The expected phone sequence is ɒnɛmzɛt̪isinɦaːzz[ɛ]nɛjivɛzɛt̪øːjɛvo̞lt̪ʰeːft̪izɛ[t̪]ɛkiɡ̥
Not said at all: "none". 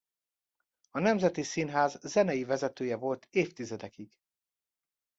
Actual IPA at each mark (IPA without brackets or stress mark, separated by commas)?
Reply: ɛ, d̪